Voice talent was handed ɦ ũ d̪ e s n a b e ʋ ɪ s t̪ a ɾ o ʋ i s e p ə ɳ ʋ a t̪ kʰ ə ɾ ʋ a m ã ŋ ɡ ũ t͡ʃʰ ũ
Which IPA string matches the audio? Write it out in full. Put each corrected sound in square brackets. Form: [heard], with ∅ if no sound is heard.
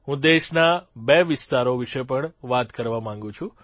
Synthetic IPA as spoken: ɦ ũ d̪ e [ʃ] n a b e ʋ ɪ s t̪ a ɾ o ʋ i [ʃ] e p ə ɳ ʋ a t̪ [k] ə ɾ ʋ a m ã ŋ ɡ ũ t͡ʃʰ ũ